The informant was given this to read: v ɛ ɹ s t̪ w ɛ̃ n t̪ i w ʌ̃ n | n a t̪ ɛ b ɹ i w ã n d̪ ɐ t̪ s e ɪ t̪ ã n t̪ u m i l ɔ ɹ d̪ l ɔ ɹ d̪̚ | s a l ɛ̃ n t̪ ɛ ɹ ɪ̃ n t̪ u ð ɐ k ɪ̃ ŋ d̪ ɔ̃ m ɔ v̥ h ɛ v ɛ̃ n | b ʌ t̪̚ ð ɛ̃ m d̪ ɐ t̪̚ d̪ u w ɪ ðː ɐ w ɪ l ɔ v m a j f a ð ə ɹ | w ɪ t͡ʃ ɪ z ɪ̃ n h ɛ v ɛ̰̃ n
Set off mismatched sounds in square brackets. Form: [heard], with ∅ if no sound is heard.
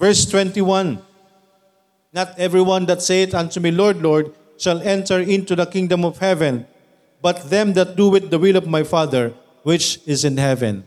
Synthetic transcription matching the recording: v ɛ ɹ s t̪ w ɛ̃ n t̪ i w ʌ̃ n | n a t̪ ɛ [v] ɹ i w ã n d̪ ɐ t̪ s e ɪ t̪ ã n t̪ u m i l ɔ ɹ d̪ l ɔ ɹ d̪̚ | [ʃ] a l ɛ̃ n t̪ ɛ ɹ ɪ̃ n t̪ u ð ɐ k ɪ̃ ŋ d̪ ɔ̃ m ɔ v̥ h ɛ v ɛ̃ n | b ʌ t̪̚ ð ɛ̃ m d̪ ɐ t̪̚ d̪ u w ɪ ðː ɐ w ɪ l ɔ v m a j f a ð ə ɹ | w ɪ t͡ʃ ɪ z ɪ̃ n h ɛ v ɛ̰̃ n